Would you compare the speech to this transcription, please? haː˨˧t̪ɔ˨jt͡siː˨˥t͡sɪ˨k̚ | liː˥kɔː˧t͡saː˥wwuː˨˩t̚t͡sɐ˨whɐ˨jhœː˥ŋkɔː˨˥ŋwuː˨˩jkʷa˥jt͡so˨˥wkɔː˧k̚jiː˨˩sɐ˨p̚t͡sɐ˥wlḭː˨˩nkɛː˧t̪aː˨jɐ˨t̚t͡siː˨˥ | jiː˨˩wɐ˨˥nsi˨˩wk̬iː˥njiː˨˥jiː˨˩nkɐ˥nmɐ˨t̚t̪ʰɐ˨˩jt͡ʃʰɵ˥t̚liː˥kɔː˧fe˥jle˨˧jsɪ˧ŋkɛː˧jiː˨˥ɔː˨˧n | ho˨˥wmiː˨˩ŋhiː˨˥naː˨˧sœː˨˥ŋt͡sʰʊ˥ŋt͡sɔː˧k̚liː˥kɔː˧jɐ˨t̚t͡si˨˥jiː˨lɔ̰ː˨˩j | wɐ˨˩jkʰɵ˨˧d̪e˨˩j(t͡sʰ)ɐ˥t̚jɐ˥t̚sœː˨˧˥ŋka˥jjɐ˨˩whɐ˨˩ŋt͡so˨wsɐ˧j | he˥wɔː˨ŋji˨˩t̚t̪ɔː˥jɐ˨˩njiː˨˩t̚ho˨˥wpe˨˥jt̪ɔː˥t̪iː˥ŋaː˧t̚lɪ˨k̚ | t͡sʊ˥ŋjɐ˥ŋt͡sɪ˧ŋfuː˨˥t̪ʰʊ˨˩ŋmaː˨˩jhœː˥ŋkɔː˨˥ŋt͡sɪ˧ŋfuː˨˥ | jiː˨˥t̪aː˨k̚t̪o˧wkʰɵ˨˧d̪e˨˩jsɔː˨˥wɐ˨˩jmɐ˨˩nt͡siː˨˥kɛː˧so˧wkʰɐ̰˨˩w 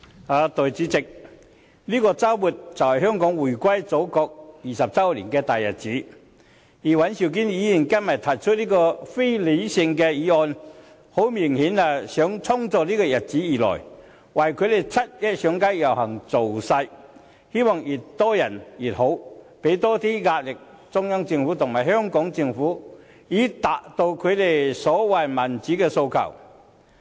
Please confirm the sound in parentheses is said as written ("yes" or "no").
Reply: yes